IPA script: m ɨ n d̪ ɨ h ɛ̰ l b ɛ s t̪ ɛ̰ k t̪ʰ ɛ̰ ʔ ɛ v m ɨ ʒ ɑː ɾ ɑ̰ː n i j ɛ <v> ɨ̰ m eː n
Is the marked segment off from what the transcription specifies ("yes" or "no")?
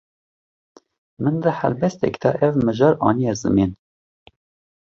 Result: yes